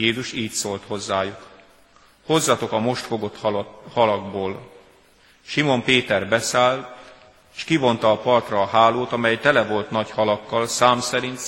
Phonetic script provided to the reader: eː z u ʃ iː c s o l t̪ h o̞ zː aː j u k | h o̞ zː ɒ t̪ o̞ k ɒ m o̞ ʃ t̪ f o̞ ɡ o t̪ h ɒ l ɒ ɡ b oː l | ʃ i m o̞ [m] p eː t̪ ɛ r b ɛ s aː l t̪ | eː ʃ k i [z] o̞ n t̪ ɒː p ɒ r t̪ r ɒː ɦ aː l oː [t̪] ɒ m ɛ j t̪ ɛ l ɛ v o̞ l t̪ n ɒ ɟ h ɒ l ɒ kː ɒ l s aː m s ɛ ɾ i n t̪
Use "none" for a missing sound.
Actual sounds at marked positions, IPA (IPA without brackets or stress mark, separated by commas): m, v, t̪